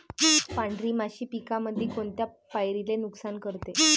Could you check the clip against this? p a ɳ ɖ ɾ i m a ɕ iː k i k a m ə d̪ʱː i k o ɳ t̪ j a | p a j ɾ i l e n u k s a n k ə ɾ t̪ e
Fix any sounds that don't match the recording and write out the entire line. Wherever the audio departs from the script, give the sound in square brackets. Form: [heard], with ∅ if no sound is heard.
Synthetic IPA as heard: p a ɳ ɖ ɾ i m a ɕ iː [p] i k a m ə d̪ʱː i k o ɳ t̪ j a | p a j ɾ i l e n u k s a n k ə ɾ t̪ e